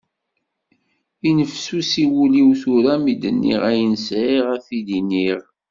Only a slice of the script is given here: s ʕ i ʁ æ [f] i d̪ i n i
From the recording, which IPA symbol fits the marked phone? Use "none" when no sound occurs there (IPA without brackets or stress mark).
f